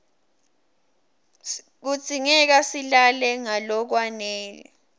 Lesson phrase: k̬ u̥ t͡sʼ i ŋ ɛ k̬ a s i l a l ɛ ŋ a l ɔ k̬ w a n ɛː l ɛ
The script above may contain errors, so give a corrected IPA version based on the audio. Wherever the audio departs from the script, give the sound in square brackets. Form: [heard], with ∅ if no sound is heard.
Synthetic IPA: k̬ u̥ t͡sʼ i ŋ ɛ k̬ a s i l a l ɛ ŋ a l ɔ k̬ w a n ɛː l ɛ